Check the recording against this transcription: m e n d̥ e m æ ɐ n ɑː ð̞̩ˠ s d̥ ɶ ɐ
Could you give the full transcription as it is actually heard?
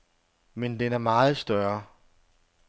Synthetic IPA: m e n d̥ e n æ ɐ m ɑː ð̞̩ˠ s d̥ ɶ ɐ